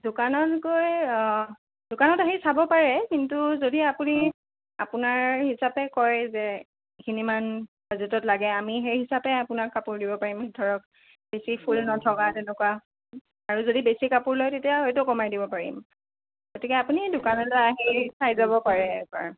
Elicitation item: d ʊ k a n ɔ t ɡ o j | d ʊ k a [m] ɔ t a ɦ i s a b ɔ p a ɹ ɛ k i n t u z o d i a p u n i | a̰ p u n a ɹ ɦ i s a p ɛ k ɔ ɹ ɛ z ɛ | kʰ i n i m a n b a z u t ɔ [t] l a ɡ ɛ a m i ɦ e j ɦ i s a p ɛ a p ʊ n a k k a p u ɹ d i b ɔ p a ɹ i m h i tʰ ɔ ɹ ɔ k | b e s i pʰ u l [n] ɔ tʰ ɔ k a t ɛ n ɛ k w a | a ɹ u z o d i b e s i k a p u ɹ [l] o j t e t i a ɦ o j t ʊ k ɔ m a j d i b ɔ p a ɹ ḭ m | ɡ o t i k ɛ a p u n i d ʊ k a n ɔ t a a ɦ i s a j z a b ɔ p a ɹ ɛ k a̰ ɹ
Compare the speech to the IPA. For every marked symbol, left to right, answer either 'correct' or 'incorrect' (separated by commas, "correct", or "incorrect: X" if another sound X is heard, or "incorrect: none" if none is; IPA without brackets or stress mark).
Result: incorrect: n, correct, correct, correct